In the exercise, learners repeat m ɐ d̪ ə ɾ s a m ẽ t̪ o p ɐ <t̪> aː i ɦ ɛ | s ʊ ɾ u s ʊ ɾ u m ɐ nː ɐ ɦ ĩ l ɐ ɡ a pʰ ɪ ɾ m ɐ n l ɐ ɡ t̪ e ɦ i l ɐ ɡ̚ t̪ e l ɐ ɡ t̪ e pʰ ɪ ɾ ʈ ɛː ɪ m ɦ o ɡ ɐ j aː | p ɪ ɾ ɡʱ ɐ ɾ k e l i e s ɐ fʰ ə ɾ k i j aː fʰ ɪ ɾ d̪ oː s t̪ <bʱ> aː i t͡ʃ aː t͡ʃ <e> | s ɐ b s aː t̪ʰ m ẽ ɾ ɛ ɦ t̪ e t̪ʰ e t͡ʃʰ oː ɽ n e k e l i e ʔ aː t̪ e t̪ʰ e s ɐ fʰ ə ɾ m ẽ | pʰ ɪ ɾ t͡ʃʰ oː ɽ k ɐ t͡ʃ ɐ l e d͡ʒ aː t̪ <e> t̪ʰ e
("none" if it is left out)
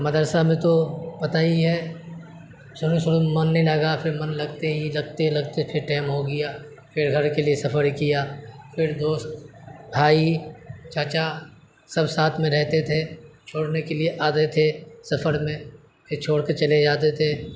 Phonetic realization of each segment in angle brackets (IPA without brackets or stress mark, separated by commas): t̪, bʱ, a, e